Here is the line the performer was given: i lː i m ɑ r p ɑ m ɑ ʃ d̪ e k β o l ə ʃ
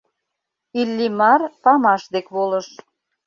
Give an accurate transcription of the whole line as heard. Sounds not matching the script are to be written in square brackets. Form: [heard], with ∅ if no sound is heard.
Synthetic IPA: i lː i m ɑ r p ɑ m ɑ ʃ d̪ e k β o l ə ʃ